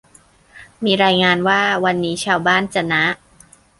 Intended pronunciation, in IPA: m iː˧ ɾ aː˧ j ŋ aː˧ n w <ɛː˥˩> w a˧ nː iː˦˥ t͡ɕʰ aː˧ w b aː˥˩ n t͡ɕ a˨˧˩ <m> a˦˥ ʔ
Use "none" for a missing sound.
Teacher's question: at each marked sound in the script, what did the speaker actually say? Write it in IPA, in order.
aː˥˩, n

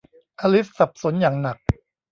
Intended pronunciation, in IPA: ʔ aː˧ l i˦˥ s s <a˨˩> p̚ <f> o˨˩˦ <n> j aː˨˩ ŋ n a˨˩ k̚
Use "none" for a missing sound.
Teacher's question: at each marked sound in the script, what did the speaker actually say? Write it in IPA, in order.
a˨˩, s, n

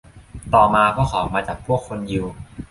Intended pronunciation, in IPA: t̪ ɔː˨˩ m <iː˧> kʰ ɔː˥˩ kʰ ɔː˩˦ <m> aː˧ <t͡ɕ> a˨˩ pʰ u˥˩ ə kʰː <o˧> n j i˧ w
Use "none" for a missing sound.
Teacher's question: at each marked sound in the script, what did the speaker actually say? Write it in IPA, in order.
aː˧, m, t͡ɕ, o˧

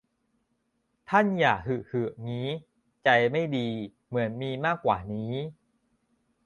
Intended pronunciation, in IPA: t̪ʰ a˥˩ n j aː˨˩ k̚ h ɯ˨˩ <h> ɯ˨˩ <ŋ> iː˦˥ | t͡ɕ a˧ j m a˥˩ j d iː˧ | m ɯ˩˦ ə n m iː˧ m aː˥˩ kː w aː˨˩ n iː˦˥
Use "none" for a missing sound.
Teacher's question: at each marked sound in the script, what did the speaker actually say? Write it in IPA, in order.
h, ŋ

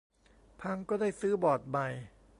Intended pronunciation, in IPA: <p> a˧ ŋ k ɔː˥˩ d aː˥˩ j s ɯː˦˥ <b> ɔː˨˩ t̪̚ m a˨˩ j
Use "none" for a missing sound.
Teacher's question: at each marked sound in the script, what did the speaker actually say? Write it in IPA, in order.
pʰ, b

